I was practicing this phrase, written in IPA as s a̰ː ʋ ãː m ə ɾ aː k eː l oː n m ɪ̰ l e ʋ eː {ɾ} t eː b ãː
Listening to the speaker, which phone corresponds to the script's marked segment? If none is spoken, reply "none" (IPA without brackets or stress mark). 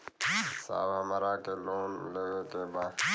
none